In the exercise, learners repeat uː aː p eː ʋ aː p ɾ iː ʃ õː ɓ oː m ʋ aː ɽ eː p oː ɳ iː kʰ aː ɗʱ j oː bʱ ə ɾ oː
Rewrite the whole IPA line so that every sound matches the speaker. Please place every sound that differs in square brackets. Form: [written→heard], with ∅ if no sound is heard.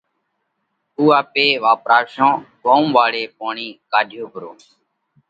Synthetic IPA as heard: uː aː p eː ʋ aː p ɾ [iː→aː] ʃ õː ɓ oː m ʋ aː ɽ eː p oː ɳ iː [kʰ→k] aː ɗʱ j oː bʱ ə ɾ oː